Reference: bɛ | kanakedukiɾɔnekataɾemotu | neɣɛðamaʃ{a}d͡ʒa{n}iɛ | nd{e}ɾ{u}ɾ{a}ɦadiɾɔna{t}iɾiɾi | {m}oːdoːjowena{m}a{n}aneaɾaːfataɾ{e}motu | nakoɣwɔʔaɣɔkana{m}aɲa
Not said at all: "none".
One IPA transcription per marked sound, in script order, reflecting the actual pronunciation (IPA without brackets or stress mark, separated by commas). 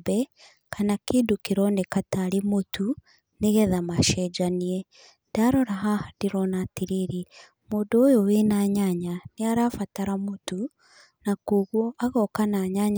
ɛ, n, a, ɔ, a, t, m, ɲ, ɲ, a, ɲ